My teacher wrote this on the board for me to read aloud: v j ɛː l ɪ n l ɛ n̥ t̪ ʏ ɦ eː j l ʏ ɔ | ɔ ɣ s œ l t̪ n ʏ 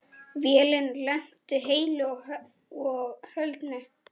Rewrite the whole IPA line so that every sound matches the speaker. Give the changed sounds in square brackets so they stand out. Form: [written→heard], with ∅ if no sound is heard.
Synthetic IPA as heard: v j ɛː l ɪ n l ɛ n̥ t̪ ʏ ɦ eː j l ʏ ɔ | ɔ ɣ [s→h] œ l t̪ n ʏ